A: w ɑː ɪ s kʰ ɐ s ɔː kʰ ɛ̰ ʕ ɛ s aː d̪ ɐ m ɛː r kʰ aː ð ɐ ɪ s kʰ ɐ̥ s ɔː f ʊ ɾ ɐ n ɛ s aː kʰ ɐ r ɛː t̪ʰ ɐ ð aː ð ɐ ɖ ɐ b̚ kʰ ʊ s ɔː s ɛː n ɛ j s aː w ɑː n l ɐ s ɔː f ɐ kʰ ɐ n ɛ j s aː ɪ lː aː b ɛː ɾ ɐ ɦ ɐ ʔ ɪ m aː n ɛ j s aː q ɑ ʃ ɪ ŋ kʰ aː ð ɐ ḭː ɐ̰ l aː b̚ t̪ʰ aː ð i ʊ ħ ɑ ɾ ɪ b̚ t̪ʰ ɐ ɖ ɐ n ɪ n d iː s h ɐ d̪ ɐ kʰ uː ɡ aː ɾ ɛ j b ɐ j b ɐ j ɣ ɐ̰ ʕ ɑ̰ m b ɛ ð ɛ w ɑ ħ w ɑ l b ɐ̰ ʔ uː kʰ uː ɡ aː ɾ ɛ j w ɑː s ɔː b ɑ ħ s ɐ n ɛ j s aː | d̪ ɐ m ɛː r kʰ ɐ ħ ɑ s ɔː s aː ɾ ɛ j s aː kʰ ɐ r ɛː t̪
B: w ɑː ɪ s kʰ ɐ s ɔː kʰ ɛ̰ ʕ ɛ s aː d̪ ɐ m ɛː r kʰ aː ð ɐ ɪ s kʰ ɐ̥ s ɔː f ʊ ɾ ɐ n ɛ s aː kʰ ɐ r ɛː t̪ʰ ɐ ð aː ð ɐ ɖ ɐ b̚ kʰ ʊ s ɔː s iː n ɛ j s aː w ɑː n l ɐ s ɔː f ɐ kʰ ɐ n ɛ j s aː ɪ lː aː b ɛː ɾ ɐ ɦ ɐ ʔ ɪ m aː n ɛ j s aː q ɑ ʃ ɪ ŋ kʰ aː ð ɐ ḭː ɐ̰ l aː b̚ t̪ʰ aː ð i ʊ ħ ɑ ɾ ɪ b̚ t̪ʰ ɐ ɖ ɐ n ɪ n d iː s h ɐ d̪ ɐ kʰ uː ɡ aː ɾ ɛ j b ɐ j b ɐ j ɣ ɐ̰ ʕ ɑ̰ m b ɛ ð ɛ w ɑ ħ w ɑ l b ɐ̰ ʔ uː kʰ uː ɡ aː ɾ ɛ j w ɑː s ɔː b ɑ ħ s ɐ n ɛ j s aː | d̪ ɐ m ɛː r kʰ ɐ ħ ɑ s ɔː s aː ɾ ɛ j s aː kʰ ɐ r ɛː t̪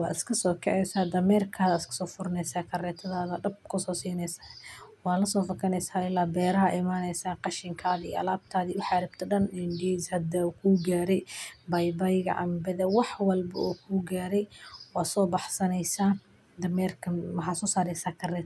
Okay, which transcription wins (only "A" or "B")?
B